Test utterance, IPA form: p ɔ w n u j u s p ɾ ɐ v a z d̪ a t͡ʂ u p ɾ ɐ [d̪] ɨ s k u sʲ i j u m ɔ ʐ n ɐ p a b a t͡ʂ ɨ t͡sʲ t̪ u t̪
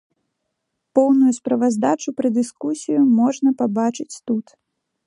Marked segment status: correct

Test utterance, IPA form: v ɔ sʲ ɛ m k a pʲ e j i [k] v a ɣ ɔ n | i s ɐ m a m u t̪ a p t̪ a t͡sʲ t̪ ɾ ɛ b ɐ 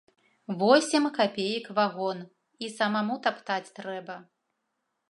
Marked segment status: correct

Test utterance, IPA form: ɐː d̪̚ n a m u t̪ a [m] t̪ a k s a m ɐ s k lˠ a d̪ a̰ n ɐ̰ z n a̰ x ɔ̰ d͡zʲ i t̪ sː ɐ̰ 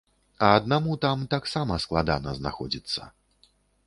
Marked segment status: correct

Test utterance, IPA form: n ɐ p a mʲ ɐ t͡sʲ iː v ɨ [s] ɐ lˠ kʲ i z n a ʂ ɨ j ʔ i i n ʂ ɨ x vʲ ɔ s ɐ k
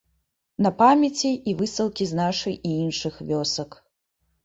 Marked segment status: correct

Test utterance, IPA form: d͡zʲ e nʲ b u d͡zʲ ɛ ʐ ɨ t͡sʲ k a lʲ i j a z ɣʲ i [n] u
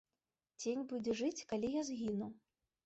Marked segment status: correct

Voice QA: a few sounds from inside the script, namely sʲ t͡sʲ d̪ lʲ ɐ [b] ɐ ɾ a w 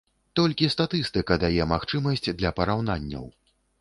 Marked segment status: incorrect: p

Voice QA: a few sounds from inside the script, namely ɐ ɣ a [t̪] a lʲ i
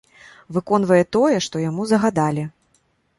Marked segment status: incorrect: d̪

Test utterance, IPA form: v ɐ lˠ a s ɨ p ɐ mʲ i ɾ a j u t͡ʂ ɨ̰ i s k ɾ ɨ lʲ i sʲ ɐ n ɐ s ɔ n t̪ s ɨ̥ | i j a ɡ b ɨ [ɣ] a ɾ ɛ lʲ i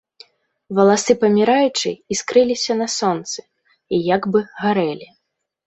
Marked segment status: correct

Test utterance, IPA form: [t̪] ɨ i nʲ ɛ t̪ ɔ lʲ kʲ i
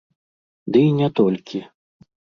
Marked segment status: incorrect: d̪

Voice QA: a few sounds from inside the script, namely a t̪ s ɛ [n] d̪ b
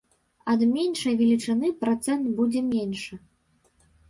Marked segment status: correct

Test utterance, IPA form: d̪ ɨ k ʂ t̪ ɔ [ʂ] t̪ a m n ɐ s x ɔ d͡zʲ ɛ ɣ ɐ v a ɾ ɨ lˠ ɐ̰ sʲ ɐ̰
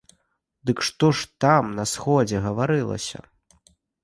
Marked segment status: correct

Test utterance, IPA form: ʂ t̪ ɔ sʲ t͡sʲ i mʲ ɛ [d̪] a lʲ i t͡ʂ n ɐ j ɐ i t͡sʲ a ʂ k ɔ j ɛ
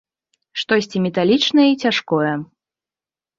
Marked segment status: incorrect: t̪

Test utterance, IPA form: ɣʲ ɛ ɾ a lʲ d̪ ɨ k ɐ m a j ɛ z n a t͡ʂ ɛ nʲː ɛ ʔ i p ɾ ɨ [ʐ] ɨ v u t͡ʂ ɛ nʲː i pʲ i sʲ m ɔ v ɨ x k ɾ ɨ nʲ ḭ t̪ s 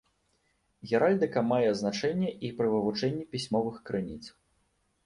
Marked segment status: incorrect: v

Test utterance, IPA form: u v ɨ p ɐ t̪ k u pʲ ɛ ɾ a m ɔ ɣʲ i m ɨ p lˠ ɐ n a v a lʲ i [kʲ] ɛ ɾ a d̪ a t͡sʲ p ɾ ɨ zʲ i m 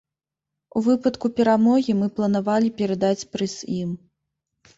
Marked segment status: incorrect: pʲ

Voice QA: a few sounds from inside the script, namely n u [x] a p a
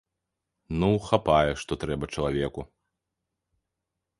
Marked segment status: correct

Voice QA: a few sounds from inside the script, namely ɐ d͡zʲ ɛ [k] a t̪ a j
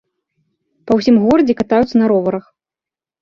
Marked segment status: correct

